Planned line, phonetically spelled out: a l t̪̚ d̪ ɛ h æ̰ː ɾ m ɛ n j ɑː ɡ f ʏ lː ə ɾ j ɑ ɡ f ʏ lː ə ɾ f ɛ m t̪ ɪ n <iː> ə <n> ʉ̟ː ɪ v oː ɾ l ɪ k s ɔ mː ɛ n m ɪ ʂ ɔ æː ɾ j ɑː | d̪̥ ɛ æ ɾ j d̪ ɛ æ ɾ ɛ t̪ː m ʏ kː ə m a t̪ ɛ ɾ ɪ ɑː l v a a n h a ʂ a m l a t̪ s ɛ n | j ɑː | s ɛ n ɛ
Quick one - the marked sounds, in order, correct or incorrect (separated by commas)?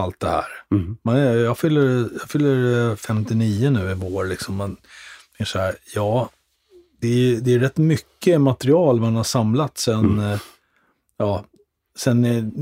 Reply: correct, correct